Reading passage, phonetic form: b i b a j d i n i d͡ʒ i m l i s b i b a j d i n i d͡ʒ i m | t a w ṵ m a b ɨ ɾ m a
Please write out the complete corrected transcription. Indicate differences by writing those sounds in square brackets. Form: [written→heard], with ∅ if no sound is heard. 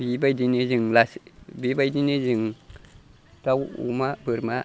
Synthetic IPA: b i b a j d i n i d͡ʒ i [m→ŋ] l [i→a] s b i b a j d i n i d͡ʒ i [m→ŋ] | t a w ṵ m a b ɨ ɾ m a